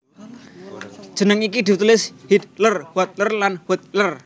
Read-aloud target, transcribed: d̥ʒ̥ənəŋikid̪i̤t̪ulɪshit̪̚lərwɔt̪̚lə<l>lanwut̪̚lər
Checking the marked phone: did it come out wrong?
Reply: yes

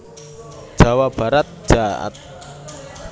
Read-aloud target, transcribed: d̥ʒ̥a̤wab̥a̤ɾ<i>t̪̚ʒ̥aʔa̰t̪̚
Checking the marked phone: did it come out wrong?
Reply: yes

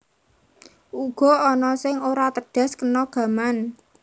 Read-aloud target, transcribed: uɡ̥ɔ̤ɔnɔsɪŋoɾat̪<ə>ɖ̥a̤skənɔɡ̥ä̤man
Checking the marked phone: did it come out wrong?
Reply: no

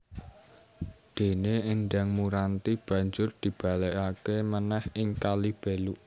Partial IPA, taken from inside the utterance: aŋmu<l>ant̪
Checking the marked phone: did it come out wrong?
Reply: yes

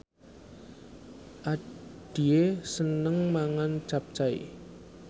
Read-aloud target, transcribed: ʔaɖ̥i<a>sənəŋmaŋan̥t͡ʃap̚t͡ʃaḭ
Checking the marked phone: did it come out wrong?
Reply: yes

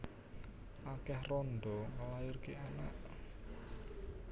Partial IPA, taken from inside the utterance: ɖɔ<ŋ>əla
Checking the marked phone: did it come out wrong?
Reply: no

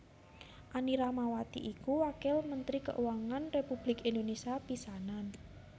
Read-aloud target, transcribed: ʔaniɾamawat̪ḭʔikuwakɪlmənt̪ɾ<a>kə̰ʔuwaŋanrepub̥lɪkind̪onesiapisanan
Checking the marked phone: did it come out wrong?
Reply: yes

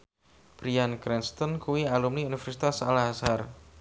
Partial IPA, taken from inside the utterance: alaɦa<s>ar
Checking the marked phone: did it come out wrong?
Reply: no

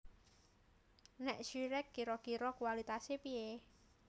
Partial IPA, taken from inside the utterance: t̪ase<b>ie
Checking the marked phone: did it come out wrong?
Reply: yes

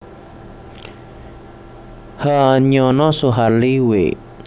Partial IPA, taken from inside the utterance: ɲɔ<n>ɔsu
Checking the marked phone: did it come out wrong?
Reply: no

